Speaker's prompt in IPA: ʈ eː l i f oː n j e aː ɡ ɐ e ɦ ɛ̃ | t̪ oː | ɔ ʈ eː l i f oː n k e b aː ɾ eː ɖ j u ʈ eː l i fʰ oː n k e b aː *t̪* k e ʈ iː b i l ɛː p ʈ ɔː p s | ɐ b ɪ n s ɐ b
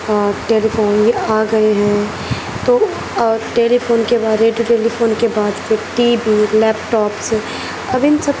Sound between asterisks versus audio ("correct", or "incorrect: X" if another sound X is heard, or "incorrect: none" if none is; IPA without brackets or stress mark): incorrect: d̪